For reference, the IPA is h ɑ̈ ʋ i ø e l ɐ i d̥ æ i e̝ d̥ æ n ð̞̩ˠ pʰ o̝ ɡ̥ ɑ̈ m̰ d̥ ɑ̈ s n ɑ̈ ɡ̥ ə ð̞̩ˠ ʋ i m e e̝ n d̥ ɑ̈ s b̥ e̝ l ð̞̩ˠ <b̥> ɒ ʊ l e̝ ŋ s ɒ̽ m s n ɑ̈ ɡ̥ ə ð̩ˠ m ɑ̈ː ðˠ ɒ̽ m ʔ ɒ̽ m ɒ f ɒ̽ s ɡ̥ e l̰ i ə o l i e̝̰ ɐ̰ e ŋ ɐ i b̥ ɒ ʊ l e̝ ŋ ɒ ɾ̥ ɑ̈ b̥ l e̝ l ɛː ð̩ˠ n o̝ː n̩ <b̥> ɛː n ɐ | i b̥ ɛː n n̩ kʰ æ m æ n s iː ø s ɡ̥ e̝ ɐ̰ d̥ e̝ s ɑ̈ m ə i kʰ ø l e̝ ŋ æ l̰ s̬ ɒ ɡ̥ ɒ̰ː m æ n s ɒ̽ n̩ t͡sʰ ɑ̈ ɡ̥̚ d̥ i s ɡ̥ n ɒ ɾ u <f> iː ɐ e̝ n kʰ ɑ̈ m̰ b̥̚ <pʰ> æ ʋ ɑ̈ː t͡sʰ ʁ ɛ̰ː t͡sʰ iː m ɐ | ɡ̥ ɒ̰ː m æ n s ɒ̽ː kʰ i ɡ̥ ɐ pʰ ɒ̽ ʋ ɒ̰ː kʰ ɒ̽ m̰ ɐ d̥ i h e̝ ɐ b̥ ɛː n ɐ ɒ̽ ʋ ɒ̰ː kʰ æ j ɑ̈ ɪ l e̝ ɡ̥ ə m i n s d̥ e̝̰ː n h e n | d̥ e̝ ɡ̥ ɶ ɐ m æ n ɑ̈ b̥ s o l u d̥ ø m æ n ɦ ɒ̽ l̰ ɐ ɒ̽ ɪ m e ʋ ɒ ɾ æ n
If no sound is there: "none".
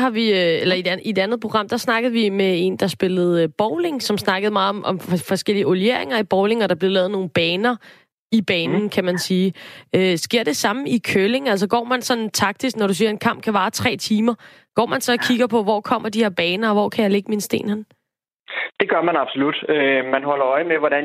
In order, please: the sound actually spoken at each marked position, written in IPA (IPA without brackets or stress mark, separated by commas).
b̥, b̥, s, kʰ